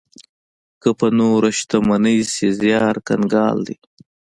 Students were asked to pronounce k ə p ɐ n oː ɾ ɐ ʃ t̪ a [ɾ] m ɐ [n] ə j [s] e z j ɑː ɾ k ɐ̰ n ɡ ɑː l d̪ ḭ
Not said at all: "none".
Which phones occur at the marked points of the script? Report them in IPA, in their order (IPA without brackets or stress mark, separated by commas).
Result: none, n, s